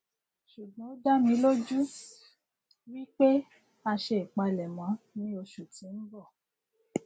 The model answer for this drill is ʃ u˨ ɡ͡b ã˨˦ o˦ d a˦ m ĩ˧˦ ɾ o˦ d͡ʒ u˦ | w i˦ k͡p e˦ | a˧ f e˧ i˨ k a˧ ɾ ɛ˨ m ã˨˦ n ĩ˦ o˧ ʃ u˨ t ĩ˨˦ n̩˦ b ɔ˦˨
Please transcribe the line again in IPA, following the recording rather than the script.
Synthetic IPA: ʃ u˨ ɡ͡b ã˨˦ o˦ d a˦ m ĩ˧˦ l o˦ d͡ʒ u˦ | w i˦ k͡p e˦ | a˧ ʃ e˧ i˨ k͡p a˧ l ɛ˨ m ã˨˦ n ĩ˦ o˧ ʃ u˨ t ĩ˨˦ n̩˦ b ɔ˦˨